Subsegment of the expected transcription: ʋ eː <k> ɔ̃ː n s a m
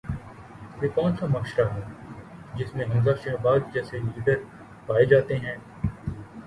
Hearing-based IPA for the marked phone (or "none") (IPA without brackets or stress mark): k